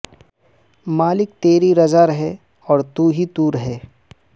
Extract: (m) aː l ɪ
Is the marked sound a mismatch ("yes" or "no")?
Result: no